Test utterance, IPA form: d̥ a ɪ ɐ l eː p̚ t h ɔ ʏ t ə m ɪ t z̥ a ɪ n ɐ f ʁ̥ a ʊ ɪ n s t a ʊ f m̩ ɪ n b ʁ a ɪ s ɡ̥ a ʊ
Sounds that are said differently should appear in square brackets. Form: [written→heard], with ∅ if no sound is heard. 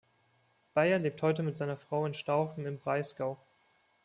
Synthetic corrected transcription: [d̥→b̥] a ɪ ɐ l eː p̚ t h ɔ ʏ t ə m ɪ t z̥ a ɪ n ɐ f ʁ̥ a ʊ ɪ n [s→ʃ] t a ʊ f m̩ ɪ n b ʁ a ɪ s ɡ̥ a ʊ